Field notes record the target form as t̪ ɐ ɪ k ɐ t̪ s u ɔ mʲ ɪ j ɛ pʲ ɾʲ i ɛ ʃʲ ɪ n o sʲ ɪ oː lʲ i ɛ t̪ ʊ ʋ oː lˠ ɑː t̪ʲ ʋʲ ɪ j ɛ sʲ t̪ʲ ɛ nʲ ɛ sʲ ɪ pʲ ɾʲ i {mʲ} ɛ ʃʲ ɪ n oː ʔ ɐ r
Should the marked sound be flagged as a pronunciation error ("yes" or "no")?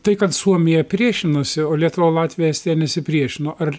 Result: yes